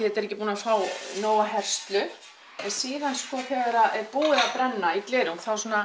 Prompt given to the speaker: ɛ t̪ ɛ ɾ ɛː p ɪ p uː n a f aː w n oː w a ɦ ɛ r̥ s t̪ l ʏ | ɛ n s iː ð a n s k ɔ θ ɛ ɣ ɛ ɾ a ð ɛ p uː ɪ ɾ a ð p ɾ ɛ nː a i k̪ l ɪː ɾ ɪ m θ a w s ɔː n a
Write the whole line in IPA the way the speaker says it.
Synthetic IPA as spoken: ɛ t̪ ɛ ɾ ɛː c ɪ p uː n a f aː w n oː w a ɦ ɛ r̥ s t̪ l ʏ | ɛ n s iː ð a n s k ɔ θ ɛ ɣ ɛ ɾ a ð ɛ p uː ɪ ɾ a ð p ɾ ɛ nː a i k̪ l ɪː ɾ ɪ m θ a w s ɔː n a